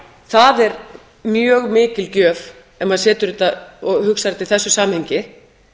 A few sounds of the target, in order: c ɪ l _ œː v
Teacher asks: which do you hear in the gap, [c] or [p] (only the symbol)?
c